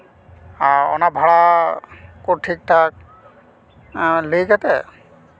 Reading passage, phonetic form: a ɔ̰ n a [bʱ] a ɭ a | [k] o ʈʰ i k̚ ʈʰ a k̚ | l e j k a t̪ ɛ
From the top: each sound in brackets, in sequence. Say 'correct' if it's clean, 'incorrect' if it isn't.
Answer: correct, correct

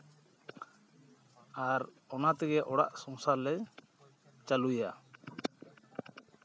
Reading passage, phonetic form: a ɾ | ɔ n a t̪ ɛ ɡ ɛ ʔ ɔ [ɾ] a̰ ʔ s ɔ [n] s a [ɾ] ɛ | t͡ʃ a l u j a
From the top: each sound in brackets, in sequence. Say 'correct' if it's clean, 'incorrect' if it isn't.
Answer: incorrect, incorrect, incorrect

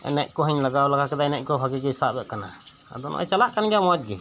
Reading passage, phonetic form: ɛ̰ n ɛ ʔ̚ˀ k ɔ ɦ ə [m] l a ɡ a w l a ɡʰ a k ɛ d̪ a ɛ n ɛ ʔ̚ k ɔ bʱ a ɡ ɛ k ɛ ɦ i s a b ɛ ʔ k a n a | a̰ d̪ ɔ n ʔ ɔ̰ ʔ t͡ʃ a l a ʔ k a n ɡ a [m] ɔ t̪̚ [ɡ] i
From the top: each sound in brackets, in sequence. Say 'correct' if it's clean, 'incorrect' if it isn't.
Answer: incorrect, correct, correct

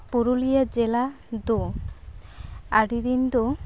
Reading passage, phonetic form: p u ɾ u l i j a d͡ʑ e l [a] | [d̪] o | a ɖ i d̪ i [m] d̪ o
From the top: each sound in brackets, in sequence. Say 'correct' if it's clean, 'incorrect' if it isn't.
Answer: correct, correct, incorrect

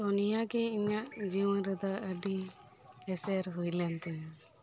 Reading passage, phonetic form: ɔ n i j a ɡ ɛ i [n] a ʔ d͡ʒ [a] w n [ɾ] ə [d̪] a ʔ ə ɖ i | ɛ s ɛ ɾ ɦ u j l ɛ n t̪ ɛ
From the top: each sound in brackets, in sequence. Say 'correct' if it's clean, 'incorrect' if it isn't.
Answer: incorrect, incorrect, correct, correct

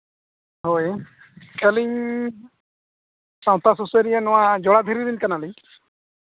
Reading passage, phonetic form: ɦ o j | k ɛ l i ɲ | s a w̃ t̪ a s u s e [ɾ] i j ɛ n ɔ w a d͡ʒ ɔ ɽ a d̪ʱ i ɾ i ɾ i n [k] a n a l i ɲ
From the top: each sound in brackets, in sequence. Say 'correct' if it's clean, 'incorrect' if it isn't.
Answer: correct, correct

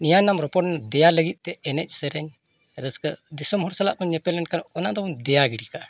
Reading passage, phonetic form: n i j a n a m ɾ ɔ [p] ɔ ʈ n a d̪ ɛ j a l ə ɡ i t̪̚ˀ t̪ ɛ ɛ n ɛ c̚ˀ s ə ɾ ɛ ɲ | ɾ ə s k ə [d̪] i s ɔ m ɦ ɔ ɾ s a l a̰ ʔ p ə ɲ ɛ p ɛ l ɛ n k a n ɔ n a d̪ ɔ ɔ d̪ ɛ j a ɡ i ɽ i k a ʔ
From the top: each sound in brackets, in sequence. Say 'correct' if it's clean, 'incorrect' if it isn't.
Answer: correct, correct

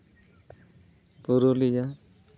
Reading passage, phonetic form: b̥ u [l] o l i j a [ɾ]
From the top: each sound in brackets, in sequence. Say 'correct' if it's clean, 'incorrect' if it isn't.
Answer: incorrect, incorrect

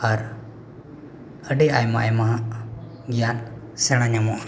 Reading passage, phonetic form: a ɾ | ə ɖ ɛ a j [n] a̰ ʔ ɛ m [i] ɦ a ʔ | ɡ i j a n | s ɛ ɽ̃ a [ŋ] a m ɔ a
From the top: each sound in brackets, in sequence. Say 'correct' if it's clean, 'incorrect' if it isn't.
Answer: incorrect, incorrect, incorrect

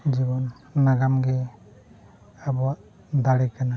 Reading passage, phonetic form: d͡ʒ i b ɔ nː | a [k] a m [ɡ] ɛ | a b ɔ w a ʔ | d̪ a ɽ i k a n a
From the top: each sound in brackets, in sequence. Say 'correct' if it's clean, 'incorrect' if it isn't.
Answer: incorrect, correct

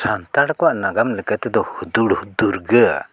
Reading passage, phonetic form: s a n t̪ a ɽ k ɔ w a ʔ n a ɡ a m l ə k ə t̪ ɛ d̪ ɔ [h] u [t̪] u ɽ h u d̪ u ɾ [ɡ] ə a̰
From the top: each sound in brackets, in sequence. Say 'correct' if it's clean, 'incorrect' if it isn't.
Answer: correct, incorrect, correct

